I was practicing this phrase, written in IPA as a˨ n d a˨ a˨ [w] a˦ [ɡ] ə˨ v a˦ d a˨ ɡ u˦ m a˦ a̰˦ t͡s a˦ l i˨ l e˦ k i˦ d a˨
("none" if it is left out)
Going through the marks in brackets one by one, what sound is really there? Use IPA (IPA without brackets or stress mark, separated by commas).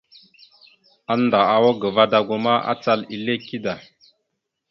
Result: w, ɡ